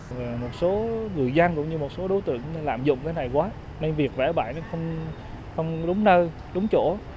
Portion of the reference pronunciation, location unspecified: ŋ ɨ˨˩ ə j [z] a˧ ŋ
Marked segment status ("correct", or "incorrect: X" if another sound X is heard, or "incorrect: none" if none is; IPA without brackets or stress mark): correct